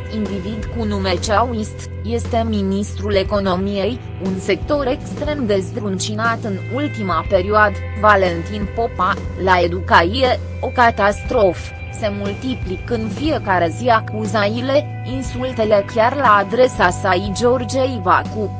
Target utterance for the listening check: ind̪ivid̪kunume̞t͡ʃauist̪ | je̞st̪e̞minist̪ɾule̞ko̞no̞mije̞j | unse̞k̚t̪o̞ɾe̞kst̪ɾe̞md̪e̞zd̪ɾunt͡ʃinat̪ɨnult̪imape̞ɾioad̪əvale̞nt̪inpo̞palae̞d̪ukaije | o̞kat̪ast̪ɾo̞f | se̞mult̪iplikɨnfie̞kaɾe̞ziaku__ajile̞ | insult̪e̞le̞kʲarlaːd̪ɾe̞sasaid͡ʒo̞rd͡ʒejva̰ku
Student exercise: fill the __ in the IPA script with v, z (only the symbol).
z